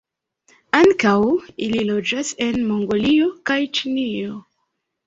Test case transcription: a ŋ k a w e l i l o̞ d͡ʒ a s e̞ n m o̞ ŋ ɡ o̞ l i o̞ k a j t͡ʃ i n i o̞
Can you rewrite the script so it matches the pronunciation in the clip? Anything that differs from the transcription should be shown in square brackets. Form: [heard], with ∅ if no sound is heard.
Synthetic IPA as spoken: a ŋ k a w [i] l i l o̞ d͡ʒ a s e̞ n m o̞ ŋ ɡ o̞ l i o̞ k a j t͡ʃ i n i o̞